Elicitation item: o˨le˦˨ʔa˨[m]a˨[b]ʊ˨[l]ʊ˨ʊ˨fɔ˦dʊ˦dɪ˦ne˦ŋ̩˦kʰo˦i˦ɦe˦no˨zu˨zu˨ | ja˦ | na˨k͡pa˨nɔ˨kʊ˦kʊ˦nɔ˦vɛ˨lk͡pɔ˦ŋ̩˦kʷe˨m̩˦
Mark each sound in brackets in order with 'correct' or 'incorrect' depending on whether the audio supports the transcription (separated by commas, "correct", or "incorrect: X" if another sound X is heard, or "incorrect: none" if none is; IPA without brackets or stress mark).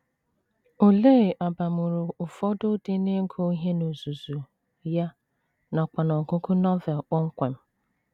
incorrect: b, incorrect: m, incorrect: ɾ